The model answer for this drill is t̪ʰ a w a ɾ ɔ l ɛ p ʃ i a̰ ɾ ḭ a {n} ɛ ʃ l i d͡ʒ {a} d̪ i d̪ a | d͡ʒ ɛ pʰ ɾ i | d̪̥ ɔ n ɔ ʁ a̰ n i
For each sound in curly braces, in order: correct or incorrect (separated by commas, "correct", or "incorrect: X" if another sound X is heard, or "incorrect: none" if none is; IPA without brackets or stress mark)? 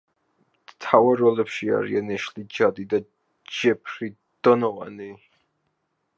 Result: correct, correct